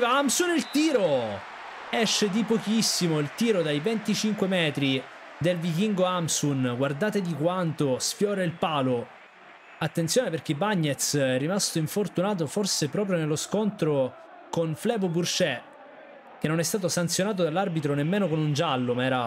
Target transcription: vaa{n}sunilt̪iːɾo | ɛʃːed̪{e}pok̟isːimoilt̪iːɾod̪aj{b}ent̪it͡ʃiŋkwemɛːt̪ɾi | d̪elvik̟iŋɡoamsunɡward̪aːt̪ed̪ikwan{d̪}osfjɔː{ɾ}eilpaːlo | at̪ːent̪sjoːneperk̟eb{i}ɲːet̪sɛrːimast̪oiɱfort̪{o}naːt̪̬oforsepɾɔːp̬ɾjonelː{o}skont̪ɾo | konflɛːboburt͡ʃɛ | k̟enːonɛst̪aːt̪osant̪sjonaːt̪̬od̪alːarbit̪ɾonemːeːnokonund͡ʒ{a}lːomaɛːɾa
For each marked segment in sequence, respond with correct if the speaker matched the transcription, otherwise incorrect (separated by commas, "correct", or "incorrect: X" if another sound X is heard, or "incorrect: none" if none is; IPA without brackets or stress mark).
incorrect: m, incorrect: i, incorrect: v, incorrect: t̪, correct, incorrect: a, incorrect: u, correct, correct